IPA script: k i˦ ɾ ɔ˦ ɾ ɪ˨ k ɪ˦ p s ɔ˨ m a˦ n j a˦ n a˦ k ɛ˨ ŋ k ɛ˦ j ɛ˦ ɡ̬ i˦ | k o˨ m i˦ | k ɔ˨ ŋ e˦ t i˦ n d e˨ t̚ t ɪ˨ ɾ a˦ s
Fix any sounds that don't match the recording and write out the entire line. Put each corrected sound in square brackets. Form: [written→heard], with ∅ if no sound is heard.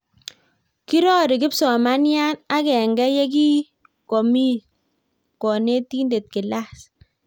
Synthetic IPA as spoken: k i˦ ɾ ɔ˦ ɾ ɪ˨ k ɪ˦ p s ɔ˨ m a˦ n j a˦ n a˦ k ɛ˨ ŋ [k→ɡ] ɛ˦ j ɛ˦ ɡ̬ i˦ | k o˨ m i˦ | k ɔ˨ [ŋ→n] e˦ t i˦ n d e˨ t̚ [t→k] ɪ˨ [ɾ→l] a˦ s